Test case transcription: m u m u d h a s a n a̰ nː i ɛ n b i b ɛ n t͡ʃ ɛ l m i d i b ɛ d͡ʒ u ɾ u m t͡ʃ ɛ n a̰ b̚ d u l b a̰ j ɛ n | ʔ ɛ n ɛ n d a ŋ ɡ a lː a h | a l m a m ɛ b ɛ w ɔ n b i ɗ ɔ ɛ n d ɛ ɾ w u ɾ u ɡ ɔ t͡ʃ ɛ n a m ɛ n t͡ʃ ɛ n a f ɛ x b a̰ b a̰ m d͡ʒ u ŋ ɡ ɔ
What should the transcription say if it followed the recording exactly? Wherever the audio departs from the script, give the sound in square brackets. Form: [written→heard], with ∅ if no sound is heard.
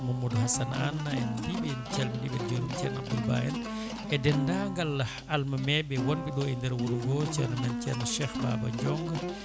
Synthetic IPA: m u m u d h a s a n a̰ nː [i→a] ɛ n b i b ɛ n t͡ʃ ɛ l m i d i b ɛ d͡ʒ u ɾ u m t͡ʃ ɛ n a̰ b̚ d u l b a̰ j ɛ n | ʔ ɛ [n→d] ɛ n d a ŋ ɡ a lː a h | a l m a m ɛ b ɛ w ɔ n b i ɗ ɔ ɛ n d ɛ ɾ w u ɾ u ɡ ɔ t͡ʃ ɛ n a m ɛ n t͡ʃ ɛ n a [f→ʃ] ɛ x b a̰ b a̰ [m→ɲ] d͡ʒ [u→ɔ] ŋ ɡ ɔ